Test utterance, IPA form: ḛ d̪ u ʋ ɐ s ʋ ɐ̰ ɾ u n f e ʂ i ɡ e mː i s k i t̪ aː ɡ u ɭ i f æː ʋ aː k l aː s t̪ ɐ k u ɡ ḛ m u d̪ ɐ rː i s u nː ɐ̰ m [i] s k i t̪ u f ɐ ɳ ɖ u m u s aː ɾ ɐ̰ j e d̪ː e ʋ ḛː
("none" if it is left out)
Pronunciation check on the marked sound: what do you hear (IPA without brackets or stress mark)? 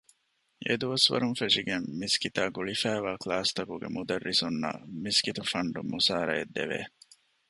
i